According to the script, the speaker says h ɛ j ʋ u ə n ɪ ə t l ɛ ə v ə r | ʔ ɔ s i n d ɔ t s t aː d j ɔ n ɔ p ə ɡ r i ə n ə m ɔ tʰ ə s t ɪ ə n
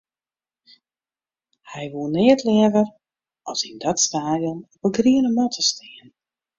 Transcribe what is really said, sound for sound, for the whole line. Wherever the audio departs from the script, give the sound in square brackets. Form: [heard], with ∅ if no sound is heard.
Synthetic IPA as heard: h ɛ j ʋ u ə n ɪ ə t l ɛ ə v ə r | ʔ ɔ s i n d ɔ t s t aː d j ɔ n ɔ p ə ɡ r i ə n ə m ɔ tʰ ə s t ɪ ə n